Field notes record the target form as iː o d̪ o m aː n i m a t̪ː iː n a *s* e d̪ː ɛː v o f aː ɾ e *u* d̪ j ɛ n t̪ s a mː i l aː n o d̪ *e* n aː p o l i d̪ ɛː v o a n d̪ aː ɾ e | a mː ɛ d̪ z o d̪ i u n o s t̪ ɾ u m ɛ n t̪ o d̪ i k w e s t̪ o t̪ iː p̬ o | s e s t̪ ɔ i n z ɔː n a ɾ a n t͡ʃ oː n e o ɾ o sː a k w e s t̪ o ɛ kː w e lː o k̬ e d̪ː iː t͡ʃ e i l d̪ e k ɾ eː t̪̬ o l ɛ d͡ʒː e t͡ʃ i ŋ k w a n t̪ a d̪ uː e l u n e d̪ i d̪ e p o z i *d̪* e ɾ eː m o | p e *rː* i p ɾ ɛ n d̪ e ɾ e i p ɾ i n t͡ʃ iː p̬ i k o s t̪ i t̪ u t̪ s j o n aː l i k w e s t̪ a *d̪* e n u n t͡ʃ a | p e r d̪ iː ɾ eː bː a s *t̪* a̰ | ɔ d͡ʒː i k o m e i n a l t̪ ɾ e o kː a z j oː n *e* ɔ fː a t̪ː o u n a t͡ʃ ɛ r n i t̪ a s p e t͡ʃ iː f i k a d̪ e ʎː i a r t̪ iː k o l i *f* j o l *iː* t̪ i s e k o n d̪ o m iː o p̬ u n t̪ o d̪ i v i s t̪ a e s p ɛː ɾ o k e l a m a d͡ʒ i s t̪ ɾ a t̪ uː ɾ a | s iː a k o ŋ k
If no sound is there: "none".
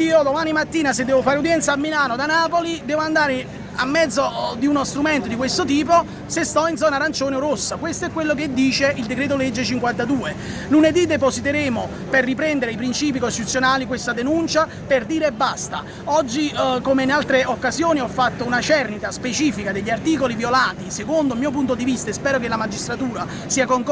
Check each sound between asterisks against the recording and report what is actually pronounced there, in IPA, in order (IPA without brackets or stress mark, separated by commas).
s, u, a, t̪, rː, d̪, t̪, i, v, aː